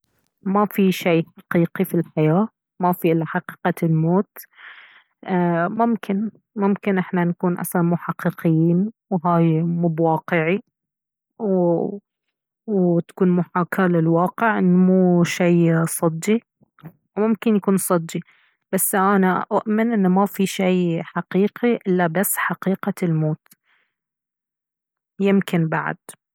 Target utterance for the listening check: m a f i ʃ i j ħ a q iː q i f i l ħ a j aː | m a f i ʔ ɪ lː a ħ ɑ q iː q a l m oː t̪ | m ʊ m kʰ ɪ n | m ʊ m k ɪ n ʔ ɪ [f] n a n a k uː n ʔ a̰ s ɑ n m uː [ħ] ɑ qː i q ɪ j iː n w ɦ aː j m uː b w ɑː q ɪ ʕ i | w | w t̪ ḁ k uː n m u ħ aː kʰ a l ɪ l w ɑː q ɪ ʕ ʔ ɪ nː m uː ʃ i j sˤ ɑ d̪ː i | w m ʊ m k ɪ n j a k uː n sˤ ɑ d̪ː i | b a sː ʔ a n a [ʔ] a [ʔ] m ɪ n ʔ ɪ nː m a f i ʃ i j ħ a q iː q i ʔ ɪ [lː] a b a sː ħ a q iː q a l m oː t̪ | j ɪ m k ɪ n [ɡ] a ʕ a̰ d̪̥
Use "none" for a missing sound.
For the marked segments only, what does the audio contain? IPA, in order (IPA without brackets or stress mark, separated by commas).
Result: ħ, ħ, ʔ, ʔ, lː, b